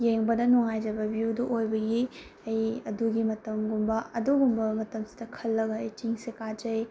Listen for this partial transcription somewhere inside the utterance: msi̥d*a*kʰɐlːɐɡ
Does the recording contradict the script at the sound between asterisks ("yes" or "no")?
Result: yes